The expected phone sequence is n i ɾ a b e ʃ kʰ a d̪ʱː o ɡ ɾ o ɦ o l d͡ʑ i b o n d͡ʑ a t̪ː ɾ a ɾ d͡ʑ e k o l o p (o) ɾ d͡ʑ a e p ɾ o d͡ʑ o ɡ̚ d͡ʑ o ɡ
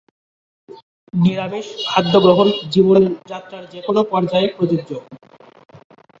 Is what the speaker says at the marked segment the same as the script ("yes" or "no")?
no